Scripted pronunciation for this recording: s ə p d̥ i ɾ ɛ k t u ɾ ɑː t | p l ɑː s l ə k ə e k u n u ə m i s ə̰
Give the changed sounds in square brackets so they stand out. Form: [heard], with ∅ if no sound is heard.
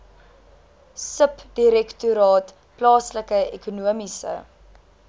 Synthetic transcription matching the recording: s ə p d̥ i ɾ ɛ k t u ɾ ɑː t | p l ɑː s l ə k ə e k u n u ə m i s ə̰